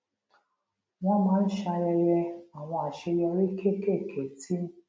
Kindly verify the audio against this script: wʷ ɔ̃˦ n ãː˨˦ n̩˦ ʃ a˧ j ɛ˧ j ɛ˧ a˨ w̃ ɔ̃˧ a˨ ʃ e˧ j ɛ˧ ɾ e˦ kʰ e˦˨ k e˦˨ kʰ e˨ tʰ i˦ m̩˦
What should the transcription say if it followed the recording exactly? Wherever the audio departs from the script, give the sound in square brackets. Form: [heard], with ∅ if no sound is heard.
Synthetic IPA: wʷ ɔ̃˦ [m] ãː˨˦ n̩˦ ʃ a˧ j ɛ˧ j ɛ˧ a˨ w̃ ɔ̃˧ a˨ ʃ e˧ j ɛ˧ ɾ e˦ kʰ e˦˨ k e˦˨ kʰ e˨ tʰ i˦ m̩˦